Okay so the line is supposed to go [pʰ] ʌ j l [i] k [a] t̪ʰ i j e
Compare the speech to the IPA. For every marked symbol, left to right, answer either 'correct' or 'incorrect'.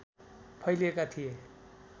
correct, incorrect: e, correct

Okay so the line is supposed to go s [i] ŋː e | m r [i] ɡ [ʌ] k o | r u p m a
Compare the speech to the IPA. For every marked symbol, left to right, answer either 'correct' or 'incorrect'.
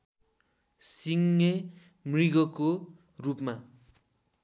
correct, correct, correct

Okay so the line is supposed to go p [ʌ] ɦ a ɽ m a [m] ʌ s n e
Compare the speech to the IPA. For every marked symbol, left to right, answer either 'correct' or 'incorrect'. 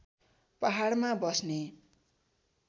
incorrect: a, incorrect: b

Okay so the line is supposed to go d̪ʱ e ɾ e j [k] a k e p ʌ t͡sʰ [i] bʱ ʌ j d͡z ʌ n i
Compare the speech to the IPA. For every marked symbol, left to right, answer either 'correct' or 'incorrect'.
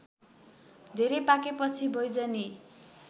incorrect: p, correct

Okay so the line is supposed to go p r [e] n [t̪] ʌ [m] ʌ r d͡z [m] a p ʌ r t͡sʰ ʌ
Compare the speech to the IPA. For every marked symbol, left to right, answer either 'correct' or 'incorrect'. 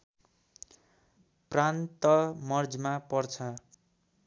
incorrect: a, correct, correct, correct

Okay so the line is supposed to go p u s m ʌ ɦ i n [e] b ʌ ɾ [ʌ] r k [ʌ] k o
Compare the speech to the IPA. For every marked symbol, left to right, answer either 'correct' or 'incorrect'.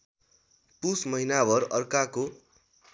incorrect: a, correct, incorrect: a

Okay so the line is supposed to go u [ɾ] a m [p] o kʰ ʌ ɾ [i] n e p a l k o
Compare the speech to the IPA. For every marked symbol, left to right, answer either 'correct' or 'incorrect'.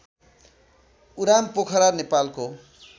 correct, correct, incorrect: a

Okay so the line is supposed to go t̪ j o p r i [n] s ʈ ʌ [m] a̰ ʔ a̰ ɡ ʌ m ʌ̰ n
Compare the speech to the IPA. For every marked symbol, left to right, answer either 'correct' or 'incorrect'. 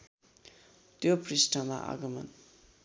incorrect: none, correct

